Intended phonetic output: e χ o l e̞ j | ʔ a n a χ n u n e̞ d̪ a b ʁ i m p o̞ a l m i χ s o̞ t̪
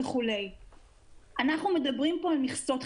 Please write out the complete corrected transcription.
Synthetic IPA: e χ u l e̞ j | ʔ a n a χ n u m e̞ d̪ a b ʁ i m p o̞ a l m i χ s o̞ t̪

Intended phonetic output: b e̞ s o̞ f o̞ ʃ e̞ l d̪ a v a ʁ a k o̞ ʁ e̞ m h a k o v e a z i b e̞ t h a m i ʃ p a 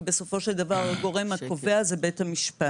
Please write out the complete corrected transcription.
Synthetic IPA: b e̞ s o̞ f o̞ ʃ e̞ l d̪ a v a ʁ a ɡ o̞ ʁ e̞ m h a k o v e a z e b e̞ t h a m i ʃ p a

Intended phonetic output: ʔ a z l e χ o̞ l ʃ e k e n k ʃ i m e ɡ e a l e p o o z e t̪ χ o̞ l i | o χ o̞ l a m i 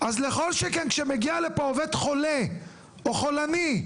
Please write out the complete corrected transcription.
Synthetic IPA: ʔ a z l e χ o̞ l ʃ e k e n k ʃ e m e ɡ i a l e p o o v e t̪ χ o̞ l e | o χ o̞ l a n i

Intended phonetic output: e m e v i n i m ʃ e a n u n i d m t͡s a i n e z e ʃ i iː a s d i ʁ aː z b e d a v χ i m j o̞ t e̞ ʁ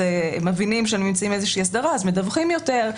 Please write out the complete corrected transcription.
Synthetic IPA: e m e v i n i m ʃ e a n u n i m t͡s a i m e z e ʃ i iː a s d a ʁ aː z m e d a v χ i m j o̞ t e̞ ʁ

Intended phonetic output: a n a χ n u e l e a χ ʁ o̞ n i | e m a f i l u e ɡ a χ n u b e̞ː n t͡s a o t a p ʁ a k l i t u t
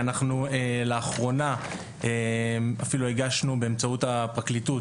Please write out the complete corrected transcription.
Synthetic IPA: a n a χ n u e l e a χ ʁ o̞ n a | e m a f i l u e ɡ a ʃ n u b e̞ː m t͡s a u t a p ʁ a k l i t u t

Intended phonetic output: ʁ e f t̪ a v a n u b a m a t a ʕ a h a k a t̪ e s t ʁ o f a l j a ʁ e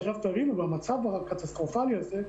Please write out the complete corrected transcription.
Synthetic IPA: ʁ a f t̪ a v i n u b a m a t͡s a v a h a k a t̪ a s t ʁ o f a l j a z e

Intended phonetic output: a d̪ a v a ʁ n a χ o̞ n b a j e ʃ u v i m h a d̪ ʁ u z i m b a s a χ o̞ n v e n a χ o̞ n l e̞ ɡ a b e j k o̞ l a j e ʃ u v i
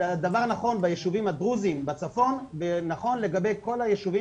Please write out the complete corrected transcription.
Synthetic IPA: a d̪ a v a ʁ n a χ o̞ n b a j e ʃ u v i m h a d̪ ʁ u z i m b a t͡s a f o̞ n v e n a χ o̞ n l e̞ ɡ a b e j k o̞ l a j e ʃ u v i

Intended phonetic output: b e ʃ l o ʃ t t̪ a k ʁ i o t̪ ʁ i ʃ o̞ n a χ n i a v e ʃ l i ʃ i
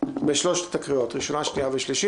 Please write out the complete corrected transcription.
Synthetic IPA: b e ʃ l o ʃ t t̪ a k ʁ i o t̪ ʁ i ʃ o̞ n a ʃ n i a v e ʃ l i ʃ i

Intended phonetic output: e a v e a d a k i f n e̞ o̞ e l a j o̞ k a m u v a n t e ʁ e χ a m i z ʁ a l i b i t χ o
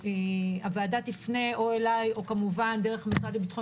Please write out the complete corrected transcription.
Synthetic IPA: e a v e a d a t i f n e̞ o̞ e l a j o̞ k a m u v a n d e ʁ e χ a m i s ʁ a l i b i t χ o

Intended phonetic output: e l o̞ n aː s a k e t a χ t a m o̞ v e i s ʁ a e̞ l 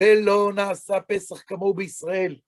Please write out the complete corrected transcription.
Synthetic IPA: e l o̞ n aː s a p e s a χ k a m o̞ b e i s ʁ a e̞ l

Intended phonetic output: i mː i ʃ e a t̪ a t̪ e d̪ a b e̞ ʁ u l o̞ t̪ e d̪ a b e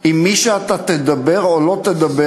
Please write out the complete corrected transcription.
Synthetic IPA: i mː i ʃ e a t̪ a t̪ e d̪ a b e̞ ʁ o l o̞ t̪ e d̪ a b e

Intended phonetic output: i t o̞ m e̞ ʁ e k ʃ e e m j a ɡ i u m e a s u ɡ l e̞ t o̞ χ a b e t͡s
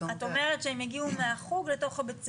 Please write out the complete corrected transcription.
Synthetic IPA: a t o̞ m e̞ ʁ e t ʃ e e m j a ɡ i u m e a χ u ɡ l e̞ t o̞ χ a b e t͡s

